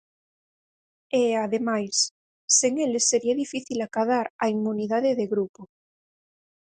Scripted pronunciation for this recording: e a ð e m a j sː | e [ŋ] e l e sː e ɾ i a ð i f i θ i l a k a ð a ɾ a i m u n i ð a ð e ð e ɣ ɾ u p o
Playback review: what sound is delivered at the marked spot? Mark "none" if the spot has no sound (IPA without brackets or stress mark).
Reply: ŋ